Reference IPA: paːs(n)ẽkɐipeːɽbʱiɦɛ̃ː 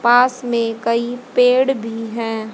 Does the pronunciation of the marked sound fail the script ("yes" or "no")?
yes